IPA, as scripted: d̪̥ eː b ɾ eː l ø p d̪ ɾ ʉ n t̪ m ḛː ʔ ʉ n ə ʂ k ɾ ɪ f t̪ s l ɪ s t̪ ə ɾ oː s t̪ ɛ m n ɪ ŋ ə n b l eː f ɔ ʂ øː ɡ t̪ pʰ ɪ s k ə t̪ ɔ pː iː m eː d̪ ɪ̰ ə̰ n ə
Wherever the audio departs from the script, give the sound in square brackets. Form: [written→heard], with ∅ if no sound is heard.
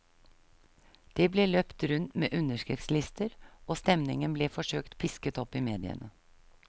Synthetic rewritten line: d̪̥ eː b [ɾ→l] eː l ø p [d̪→t̪] ɾ ʉ n t̪ m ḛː ʔ ʉ n ə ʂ k ɾ ɪ f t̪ s l ɪ s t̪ ə ɾ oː s t̪ ɛ m n ɪ ŋ ə n b l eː f ɔ ʂ øː [ɡ→k] t̪ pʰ ɪ s k ə t̪ ɔ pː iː m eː d̪ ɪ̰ ə̰ n ə